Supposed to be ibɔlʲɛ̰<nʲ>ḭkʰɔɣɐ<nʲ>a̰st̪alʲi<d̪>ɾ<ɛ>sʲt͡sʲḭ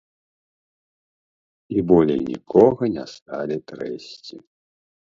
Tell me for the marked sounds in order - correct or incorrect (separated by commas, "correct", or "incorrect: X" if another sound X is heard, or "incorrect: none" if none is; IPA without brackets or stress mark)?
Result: correct, correct, incorrect: t̪, correct